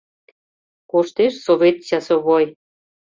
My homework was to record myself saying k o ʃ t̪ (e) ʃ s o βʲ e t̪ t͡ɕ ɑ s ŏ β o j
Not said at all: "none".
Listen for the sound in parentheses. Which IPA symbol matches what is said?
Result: e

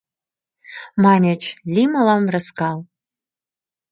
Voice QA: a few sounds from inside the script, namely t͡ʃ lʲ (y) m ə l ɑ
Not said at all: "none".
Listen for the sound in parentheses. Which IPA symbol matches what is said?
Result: i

